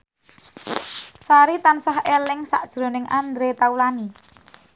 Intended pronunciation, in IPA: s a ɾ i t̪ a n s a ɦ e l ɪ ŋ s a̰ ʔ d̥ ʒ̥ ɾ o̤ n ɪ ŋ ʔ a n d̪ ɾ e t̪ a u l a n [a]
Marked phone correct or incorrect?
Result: incorrect